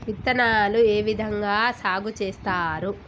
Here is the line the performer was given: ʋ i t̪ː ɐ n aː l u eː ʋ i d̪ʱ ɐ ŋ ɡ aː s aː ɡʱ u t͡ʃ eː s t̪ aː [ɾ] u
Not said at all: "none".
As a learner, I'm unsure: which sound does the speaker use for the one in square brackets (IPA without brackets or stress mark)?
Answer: ɾ